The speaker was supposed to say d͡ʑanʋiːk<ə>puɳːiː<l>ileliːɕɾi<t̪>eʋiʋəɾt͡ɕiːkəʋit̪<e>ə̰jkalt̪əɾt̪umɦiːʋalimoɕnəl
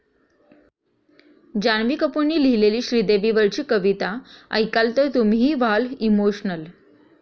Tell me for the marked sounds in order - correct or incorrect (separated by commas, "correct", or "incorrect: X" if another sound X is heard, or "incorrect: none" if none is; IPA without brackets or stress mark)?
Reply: correct, correct, incorrect: d̪, incorrect: a